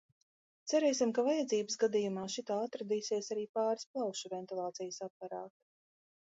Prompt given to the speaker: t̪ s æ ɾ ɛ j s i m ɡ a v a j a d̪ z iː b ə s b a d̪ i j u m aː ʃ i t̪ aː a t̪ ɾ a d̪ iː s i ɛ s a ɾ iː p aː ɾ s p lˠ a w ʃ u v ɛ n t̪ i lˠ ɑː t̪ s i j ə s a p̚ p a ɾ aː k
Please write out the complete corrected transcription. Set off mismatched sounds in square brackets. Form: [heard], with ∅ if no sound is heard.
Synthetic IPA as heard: t̪ s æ ɾ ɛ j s i m [k] a v a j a d̪ z iː b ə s [ɡ] a d̪ i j u m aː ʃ i t̪ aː a t̪ ɾ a d̪ iː s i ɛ s a ɾ iː p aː ɾ s p lˠ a w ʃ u v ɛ n t̪ i lˠ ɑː t̪ s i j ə s a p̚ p a ɾ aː k